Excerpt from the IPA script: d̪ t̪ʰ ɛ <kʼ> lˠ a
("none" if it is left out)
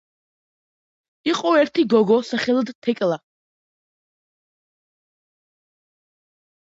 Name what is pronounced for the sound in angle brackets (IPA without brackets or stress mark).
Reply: kʼ